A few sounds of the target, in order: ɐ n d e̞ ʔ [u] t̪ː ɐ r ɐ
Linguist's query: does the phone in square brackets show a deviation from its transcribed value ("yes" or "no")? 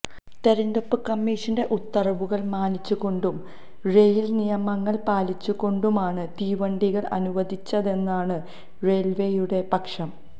no